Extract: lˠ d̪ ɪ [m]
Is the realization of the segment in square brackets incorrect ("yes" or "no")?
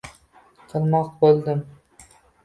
no